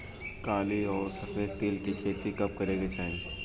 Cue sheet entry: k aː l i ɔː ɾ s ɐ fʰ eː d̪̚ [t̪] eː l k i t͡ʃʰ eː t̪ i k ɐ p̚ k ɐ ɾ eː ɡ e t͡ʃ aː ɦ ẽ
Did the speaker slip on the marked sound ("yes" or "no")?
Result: no